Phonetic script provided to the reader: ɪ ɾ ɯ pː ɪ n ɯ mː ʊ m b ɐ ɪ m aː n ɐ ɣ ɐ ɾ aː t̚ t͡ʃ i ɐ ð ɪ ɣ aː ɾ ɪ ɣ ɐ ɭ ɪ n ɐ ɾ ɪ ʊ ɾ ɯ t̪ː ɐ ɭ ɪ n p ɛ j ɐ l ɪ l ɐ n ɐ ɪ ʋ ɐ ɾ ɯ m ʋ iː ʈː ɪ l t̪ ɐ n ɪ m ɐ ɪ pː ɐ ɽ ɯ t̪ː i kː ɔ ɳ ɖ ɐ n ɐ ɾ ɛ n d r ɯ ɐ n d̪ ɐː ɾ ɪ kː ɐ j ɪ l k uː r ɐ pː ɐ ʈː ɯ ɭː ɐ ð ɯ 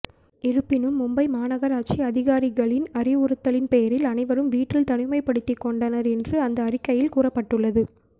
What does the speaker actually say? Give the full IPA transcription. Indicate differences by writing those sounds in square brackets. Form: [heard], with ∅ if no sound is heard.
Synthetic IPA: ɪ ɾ ɯ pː ɪ n ɯ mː ʊ m b ɐ ɪ m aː n ɐ ɣ ɐ ɾ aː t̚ t͡ʃ i ɐ ð ɪ ɣ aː ɾ ɪ ɣ ɐ ɭ ɪ n ɐ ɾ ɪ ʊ ɾ ɯ t̪ː ɐ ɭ ɪ n p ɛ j ɐ [ɾ] ɪ l ɐ n ɐ ɪ ʋ ɐ ɾ ɯ m ʋ iː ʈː ɪ l t̪ ɐ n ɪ m ɐ ɪ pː ɐ ɽ ɯ t̪ː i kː ɔ ɳ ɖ ɐ n ɐ ɾ ɛ n d r ɯ ɐ n d̪ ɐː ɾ ɪ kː ɐ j ɪ l k uː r ɐ pː ɐ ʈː ɯ ɭː ɐ ð ɯ

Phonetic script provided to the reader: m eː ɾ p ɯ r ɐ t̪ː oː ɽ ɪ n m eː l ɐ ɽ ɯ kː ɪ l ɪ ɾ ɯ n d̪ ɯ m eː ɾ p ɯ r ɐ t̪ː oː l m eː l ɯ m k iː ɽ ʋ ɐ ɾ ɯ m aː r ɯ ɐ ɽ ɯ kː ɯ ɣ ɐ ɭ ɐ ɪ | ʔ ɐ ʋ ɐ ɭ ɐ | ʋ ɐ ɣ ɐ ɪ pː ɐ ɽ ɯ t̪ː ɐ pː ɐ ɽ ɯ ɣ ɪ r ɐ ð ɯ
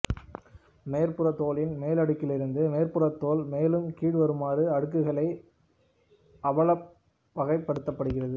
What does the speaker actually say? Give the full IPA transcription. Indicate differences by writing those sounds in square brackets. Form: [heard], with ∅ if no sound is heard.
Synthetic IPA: m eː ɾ p ɯ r ɐ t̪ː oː [l] ɪ n m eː l ɐ ɽ ɯ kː ɪ l ɪ ɾ ɯ n d̪ ɯ m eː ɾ p ɯ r ɐ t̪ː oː l m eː l ɯ m k iː ɽ ʋ ɐ ɾ ɯ m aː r ɯ ɐ ɽ ɯ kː ɯ ɣ ɐ ɭ ɐ ɪ | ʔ ɐ ʋ ɐ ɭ ɐ | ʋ ɐ ɣ ɐ ɪ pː ɐ ɽ ɯ t̪ː ɐ pː ɐ ɽ ɯ ɣ ɪ r ɐ ð ɯ

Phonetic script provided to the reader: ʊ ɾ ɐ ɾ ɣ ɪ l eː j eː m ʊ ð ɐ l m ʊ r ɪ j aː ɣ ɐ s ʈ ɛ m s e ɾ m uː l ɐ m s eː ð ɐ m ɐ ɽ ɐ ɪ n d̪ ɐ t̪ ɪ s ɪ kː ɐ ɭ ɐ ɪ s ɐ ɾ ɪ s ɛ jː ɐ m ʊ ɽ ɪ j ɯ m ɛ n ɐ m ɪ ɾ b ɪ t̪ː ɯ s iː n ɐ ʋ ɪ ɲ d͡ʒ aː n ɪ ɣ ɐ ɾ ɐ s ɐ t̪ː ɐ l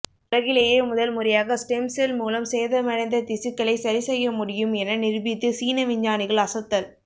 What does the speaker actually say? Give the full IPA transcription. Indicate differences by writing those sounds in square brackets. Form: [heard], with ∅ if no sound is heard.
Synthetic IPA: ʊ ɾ ɐ [∅] ɣ ɪ l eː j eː m ʊ ð ɐ l m ʊ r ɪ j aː ɣ ɐ s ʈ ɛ m s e [l] m uː l ɐ m s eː ð ɐ m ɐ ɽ ɐ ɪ n d̪ ɐ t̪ ɪ s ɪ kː ɐ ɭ ɐ ɪ s ɐ ɾ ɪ s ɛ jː ɐ m ʊ ɽ ɪ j ɯ m ɛ n ɐ [n] ɪ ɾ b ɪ t̪ː ɯ s iː n ɐ ʋ ɪ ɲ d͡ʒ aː n ɪ ɣ ɐ [ɭ] ɐ s ɐ t̪ː ɐ l

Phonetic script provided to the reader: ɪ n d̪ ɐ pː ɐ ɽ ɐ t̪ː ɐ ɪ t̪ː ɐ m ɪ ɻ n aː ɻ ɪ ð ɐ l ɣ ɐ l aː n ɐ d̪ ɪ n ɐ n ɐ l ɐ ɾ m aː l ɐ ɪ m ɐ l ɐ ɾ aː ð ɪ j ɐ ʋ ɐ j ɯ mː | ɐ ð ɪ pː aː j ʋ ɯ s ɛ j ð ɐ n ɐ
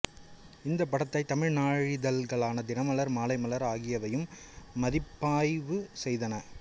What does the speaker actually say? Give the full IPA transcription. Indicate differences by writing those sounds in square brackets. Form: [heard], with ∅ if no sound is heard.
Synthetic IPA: ɪ n d̪ ɐ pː ɐ ɽ ɐ t̪ː ɐ ɪ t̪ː ɐ m ɪ ɻ n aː ɻ ɪ ð ɐ l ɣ ɐ [ɭ] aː n ɐ d̪ ɪ n ɐ [m] ɐ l ɐ ɾ m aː l ɐ ɪ m ɐ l ɐ ɾ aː [ɣ] ɪ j ɐ ʋ ɐ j ɯ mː | ɐ ð ɪ pː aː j ʋ ɯ s ɛ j ð ɐ n ɐ

